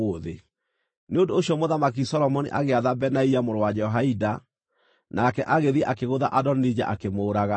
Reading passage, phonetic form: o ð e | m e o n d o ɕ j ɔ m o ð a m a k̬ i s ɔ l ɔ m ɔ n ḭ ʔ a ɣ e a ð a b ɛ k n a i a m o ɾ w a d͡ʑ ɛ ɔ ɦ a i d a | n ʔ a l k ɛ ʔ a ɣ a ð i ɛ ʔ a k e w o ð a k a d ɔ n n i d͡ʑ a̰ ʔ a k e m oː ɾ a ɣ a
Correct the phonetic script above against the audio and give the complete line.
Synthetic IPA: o ð e | n e o n d o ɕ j ɔ m o ð a m a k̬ i s ɔ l ɔ m ɔ n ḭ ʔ a ɣ e a ð a b ɛ n a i a m o ɾ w a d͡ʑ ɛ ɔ ɦ a i d a | n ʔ a k ɛ ʔ a ɣ e ð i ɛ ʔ a k e ɣ o ð a ʔ a d ɔ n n i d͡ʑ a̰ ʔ a k e m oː ɾ a ɣ a